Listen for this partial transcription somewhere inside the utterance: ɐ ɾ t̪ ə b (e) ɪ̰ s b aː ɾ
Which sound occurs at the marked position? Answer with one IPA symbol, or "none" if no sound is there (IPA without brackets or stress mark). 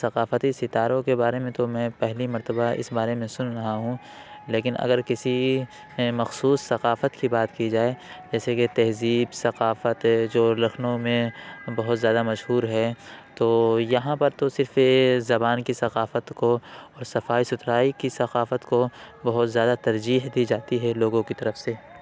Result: a